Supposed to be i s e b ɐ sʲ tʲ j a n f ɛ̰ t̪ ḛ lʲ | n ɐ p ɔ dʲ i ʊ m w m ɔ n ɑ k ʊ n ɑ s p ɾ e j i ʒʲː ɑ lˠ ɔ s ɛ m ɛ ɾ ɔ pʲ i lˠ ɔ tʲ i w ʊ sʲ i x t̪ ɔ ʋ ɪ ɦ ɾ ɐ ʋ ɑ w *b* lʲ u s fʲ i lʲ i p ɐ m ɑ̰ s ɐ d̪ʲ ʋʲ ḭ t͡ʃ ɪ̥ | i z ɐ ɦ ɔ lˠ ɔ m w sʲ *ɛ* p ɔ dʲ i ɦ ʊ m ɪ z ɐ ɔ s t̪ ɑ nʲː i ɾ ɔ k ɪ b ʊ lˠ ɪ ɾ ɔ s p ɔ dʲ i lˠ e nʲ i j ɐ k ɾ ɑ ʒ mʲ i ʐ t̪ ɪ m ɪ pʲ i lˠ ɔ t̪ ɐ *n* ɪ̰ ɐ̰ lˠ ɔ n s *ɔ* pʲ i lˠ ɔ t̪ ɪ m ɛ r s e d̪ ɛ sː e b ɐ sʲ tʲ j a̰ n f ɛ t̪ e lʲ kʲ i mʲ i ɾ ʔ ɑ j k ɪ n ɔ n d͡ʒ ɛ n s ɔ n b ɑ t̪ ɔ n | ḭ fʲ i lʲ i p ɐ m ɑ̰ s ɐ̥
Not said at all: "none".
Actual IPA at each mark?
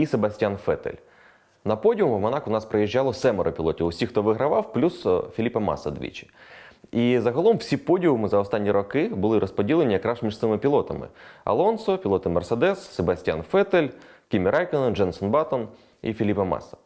p, i, m, ɔ

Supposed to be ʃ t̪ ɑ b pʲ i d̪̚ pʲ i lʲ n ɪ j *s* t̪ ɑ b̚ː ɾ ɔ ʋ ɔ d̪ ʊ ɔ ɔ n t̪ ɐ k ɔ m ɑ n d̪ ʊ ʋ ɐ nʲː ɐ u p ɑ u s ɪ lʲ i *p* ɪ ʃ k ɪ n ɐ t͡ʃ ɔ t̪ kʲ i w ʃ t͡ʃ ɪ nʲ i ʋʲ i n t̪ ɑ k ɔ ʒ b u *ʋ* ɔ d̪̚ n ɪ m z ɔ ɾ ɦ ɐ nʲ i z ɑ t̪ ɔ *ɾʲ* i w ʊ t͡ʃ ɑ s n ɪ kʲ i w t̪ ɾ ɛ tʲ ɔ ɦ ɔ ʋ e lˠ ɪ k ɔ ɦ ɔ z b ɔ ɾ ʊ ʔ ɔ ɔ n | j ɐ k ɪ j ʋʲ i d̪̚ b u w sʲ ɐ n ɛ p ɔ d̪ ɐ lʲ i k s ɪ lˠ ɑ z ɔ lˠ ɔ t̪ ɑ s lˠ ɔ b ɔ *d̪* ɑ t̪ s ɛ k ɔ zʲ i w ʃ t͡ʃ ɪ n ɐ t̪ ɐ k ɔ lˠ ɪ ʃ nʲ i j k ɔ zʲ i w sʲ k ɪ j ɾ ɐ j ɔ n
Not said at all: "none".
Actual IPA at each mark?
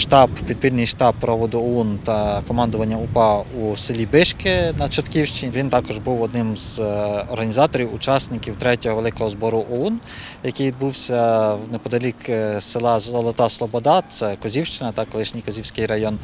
ʃ, b, w, ɾʲ, d̪

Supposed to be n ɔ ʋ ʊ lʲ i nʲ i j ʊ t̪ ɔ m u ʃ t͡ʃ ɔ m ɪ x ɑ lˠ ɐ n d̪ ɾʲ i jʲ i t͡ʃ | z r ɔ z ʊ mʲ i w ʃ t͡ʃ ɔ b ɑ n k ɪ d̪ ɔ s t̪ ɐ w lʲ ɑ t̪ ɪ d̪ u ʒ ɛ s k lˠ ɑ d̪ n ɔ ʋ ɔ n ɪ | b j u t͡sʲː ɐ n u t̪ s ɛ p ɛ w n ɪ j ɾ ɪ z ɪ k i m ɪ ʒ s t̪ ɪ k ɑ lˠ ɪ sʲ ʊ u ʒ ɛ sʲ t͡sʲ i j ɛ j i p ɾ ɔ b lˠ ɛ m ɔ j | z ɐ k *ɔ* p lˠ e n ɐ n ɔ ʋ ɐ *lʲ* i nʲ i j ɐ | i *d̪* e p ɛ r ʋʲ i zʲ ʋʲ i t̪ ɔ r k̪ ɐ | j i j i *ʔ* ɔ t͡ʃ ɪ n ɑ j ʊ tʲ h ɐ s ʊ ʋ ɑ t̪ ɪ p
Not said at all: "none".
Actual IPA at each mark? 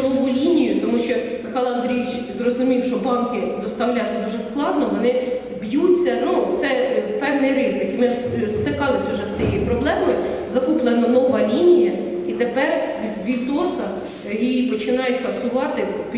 u, lʲ, t̪, p

